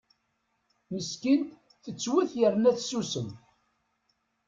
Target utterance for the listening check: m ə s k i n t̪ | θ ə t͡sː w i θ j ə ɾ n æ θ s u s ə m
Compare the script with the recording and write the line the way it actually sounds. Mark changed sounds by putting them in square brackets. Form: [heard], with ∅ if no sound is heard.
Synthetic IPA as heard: m ə s k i n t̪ | θ ə t͡sː w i θ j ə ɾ n æ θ s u s ə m